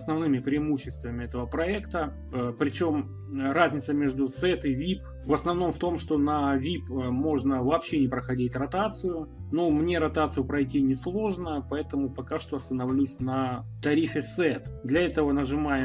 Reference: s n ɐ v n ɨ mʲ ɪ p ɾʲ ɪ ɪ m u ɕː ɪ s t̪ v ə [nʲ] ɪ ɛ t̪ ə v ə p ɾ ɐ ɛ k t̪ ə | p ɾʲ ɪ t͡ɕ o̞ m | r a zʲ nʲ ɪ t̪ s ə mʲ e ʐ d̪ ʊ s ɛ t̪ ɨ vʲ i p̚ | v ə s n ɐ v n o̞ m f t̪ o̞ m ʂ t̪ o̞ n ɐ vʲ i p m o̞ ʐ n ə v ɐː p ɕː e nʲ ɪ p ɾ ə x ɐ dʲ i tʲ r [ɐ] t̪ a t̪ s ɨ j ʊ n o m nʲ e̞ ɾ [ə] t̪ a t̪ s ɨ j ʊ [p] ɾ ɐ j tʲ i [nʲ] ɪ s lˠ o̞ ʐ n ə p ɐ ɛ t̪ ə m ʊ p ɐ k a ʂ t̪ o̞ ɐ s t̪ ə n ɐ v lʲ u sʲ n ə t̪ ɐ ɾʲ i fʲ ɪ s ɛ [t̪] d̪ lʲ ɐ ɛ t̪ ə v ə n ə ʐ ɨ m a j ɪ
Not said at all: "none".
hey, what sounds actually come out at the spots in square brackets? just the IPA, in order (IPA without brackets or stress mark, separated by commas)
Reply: mʲ, ɐ, ɐ, p, nʲ, t̪